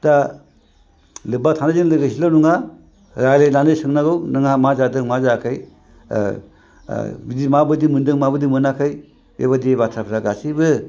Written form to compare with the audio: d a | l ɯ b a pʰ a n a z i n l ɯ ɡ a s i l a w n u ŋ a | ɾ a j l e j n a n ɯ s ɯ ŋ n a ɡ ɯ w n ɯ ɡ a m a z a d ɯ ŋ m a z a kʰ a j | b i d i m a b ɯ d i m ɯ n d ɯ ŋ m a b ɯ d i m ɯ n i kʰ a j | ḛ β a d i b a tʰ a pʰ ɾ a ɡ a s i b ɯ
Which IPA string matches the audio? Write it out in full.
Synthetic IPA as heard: d a | l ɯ b a tʰ a n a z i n l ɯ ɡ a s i l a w n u ŋ a | ɾ a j l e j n a n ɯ s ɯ ŋ n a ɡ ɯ w n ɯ ŋ a m a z a d ɯ ŋ m a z a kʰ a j | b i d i m a b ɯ d i m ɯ n d ɯ ŋ m a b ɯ d i m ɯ n a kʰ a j | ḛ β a d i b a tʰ a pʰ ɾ a ɡ a s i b ɯ